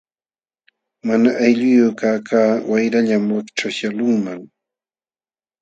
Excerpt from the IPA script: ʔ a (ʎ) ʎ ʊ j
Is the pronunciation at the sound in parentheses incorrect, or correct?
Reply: incorrect: j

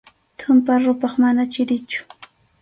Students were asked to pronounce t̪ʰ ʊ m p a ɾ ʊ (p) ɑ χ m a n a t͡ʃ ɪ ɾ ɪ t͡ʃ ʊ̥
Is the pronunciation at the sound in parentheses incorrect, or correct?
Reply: correct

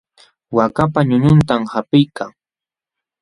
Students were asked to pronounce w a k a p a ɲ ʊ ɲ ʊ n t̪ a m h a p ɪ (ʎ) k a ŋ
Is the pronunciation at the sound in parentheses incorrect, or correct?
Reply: incorrect: j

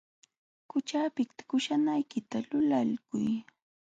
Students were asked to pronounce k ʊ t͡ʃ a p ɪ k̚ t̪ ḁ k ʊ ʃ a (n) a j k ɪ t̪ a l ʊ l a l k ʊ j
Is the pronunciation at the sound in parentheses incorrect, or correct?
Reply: correct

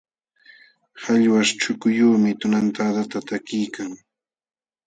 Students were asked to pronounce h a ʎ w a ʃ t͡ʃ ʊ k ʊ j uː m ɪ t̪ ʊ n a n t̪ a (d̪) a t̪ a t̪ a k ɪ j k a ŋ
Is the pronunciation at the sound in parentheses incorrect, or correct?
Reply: correct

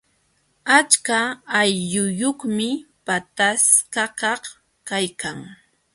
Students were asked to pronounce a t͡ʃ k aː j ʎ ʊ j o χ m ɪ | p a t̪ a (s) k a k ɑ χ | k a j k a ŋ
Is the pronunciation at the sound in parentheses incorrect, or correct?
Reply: correct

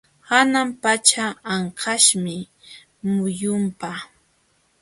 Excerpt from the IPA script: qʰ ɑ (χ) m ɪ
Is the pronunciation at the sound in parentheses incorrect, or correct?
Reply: incorrect: ʃ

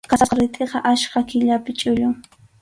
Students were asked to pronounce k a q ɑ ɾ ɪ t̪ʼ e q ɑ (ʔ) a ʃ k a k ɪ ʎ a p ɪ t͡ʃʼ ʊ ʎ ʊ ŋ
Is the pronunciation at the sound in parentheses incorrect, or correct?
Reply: correct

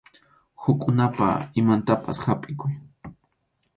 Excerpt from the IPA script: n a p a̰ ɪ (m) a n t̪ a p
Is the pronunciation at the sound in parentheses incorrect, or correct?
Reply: correct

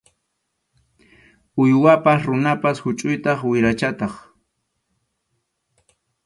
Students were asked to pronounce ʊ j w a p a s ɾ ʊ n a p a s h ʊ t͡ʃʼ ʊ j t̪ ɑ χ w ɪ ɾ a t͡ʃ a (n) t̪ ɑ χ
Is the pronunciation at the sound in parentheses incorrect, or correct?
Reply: incorrect: none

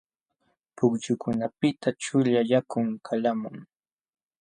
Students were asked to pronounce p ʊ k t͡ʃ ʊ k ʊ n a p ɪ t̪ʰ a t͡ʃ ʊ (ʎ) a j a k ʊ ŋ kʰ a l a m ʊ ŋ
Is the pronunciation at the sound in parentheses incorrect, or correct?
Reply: correct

